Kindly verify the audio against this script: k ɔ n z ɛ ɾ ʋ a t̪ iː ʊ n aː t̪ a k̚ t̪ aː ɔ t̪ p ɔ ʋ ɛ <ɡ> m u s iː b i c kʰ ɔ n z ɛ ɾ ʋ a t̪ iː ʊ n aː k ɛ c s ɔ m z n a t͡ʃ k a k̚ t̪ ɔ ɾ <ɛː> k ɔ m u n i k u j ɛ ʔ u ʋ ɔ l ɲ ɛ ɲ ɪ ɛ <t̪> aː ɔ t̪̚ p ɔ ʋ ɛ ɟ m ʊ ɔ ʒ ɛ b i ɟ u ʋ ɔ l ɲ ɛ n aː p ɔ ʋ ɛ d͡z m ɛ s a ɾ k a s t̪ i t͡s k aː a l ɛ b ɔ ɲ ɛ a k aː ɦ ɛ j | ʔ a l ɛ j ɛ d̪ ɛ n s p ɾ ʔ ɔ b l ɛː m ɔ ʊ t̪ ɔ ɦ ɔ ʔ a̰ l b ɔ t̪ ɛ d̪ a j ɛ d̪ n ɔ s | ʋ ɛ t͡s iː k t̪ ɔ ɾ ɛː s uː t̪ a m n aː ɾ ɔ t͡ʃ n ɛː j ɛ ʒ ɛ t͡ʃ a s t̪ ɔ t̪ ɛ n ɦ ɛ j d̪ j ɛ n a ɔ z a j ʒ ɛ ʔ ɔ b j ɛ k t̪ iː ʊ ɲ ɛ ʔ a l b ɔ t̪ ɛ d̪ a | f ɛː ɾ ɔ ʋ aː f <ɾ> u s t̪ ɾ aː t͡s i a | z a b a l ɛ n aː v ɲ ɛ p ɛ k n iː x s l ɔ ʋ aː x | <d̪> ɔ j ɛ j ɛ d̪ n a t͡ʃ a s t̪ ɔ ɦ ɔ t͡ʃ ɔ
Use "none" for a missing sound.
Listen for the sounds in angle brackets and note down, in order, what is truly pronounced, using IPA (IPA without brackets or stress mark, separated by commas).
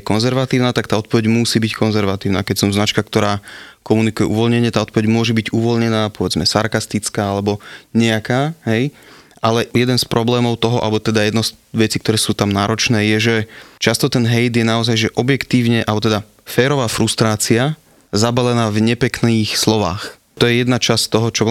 ɟ, aː, t̪, ɾ, t̪